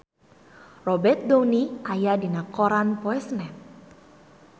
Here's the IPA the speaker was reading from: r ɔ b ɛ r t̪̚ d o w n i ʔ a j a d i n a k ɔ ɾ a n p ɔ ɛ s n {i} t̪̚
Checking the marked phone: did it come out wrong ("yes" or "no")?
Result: yes